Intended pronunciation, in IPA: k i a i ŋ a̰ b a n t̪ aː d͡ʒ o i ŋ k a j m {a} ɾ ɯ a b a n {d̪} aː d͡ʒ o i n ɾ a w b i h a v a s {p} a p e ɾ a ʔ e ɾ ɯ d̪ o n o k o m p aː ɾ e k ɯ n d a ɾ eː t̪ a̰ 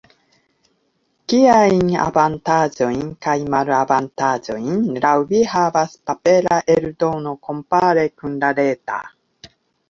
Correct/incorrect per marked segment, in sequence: correct, incorrect: t̪, correct

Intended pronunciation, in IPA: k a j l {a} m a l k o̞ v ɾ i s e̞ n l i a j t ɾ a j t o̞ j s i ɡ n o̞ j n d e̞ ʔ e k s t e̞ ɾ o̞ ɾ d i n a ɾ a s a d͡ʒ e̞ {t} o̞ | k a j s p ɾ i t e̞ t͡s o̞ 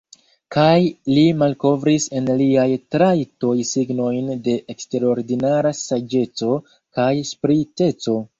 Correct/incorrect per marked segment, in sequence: incorrect: i, incorrect: t͡s

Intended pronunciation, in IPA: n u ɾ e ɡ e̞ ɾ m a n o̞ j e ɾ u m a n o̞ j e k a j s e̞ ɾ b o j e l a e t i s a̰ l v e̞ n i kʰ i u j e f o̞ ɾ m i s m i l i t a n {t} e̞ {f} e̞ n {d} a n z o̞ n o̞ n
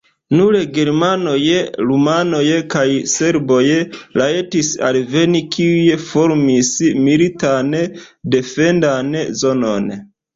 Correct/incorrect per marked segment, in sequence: incorrect: d, correct, correct

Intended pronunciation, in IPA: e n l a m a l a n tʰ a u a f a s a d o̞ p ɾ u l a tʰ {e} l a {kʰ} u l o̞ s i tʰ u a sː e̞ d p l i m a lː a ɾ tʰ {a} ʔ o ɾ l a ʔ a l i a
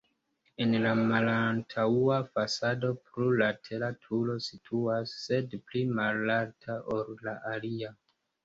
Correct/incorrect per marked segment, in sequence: correct, incorrect: tʰ, correct

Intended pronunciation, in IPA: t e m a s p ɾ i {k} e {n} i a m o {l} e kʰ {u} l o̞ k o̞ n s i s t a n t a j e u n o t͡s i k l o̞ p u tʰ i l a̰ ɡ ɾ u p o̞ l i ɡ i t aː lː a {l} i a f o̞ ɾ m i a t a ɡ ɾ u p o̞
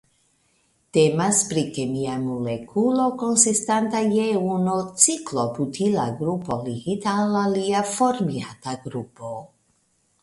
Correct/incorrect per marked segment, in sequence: correct, incorrect: m, correct, correct, correct

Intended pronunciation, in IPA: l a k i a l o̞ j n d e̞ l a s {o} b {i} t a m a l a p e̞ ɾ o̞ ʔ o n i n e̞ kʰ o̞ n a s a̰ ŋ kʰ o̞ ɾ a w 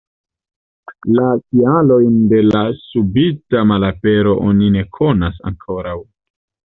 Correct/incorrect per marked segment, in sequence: incorrect: u, correct

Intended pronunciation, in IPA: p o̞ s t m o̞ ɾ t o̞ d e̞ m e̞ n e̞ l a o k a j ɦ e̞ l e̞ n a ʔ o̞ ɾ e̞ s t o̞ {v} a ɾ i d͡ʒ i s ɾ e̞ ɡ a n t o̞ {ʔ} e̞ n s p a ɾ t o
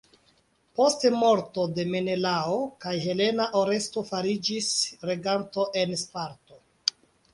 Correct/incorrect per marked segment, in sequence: incorrect: f, correct

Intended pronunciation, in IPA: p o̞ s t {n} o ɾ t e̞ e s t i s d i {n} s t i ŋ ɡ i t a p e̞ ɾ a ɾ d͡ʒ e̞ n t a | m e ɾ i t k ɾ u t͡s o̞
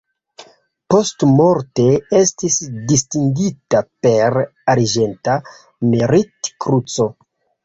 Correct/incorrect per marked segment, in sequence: incorrect: m, incorrect: none

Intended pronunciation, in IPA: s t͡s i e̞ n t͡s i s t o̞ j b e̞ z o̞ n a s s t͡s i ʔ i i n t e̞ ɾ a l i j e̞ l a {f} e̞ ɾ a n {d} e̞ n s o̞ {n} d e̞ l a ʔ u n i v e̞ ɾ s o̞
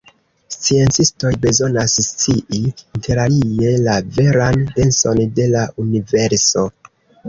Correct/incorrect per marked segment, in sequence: incorrect: v, correct, correct

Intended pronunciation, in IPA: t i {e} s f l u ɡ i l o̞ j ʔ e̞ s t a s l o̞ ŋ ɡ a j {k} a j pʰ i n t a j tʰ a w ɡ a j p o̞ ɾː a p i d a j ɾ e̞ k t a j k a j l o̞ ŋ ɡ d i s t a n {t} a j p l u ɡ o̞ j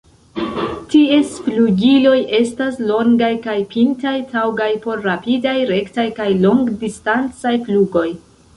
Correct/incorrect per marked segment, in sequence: correct, correct, incorrect: t͡s

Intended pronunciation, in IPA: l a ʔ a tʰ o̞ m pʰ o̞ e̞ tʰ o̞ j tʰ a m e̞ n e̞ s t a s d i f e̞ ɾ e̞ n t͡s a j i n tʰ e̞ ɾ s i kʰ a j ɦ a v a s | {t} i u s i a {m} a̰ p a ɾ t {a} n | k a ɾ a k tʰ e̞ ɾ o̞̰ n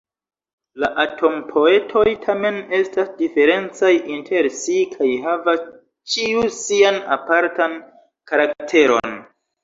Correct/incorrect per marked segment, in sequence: incorrect: t͡ʃ, incorrect: n, correct

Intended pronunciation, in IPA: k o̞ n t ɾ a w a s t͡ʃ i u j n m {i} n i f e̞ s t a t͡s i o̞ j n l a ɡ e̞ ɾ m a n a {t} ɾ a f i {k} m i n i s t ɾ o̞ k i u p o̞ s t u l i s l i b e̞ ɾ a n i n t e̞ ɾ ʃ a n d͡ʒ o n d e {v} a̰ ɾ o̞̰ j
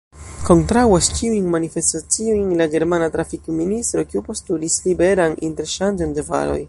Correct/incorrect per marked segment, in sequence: incorrect: a, correct, correct, correct

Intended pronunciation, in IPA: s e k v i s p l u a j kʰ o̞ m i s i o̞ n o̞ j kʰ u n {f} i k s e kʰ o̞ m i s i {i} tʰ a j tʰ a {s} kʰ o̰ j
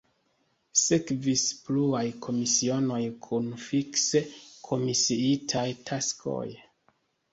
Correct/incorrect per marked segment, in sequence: correct, correct, correct

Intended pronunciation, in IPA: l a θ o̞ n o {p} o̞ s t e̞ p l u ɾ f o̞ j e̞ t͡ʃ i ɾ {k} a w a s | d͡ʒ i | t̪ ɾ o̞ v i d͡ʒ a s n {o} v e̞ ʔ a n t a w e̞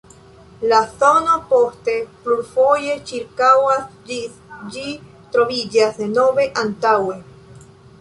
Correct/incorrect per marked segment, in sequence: correct, correct, correct

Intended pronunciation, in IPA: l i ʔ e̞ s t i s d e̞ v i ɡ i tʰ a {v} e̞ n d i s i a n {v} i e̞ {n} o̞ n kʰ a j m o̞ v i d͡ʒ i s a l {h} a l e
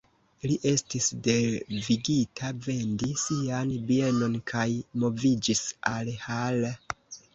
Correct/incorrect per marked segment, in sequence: correct, incorrect: b, correct, correct

